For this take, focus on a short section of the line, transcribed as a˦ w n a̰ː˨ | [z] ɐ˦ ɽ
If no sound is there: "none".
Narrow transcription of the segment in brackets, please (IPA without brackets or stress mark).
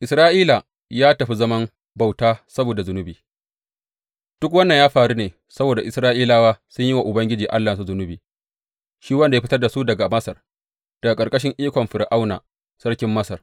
s